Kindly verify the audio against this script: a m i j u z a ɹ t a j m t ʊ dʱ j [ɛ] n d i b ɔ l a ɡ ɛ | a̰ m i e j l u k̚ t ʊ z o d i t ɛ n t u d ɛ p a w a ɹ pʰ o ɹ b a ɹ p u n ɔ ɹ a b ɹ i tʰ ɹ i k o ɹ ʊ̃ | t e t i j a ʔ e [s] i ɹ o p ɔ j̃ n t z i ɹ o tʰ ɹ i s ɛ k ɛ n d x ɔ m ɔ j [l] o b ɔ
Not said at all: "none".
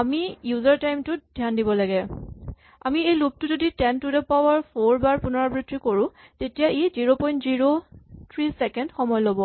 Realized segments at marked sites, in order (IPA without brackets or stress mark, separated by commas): a, z, l